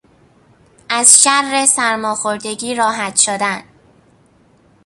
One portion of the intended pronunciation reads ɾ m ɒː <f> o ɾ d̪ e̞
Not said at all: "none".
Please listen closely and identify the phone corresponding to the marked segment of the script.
x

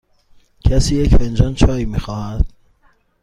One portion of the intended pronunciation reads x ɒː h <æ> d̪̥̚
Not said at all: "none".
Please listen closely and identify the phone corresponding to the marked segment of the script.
æ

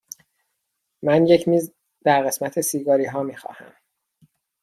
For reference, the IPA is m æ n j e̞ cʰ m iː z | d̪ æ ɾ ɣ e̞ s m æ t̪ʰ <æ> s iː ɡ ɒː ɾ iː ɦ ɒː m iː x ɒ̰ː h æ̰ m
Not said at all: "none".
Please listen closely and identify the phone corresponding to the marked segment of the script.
e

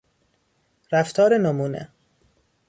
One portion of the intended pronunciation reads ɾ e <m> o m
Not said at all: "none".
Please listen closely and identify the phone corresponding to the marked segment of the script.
n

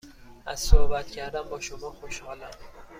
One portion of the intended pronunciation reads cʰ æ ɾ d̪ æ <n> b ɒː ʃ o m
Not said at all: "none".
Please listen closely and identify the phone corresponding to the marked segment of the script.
m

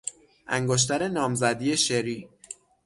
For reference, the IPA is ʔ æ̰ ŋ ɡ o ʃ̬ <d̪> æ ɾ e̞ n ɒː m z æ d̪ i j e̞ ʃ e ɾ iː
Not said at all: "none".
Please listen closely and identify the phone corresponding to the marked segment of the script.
t̪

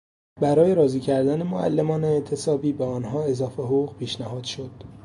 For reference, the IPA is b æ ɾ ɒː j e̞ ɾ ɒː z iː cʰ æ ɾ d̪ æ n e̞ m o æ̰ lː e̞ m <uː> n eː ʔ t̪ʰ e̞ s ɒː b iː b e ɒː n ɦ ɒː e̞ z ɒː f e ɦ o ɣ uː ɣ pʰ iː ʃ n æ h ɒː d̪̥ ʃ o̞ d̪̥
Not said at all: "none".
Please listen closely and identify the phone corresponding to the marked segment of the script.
ɒː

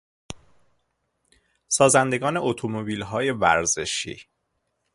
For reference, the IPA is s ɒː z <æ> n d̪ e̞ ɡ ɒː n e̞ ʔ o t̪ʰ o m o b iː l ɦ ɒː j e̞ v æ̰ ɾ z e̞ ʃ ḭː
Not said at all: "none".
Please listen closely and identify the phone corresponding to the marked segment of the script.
æ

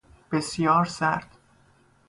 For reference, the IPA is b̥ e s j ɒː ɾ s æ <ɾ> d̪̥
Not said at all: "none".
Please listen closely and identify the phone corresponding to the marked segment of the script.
ɾ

